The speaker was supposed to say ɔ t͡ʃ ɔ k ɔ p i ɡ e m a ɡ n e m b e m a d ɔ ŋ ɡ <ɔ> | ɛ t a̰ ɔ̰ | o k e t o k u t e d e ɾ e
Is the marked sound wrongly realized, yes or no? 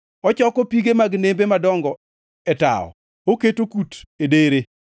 no